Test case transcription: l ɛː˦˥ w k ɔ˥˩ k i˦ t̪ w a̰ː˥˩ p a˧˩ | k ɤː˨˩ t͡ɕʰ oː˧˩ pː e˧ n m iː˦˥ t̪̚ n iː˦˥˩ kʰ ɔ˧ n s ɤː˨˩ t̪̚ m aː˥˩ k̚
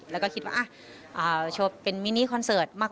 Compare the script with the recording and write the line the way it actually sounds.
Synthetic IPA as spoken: l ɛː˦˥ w k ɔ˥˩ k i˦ t̪ w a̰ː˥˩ ʔ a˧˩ | ʔ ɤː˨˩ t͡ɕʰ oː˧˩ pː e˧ n m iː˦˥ n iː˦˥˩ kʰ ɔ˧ n s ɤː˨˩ t̪̚ m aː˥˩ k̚